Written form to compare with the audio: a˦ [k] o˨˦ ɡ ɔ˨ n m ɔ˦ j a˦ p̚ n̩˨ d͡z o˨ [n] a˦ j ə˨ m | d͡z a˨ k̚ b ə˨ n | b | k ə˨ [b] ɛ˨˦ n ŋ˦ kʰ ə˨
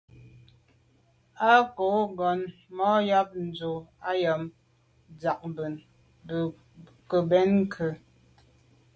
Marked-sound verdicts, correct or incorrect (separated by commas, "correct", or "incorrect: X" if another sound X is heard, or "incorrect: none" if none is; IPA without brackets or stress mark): correct, incorrect: none, correct